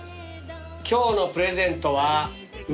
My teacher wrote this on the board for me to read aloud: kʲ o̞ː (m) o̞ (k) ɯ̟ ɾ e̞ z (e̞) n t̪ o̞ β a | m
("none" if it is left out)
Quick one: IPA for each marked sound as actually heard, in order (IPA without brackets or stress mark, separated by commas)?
n, p, ẽ̞